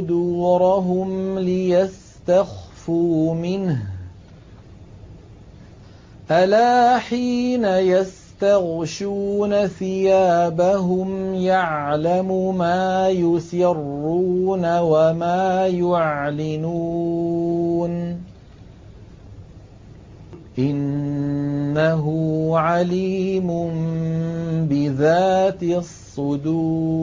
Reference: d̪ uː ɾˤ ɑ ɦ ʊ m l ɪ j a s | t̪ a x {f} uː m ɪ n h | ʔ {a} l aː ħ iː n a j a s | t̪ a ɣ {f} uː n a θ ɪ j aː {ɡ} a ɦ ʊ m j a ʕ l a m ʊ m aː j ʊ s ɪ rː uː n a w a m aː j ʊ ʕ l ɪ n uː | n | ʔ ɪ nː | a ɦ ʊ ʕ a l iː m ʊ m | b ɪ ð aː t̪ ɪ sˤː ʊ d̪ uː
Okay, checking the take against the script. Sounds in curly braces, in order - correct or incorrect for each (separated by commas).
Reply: correct, correct, incorrect, incorrect